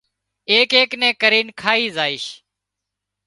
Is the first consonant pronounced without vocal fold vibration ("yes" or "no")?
yes